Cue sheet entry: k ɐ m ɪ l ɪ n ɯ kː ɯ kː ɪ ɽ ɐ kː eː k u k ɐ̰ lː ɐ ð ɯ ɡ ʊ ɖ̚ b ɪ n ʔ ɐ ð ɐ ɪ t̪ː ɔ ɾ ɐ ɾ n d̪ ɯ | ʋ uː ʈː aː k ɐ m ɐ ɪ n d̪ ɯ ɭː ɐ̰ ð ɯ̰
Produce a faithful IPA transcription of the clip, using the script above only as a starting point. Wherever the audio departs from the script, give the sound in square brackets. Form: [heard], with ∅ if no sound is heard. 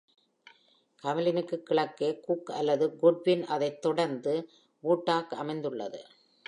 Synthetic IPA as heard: k ɐ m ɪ l ɪ n ɯ kː ɯ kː ɪ [ɭ] ɐ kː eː k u k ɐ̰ lː ɐ ð ɯ ɡ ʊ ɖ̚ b ɪ n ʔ ɐ ð ɐ ɪ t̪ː ɔ [ɽ] ɐ ɾ n d̪ ɯ | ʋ uː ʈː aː k ɐ m ɐ ɪ n d̪ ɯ ɭː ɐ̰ ð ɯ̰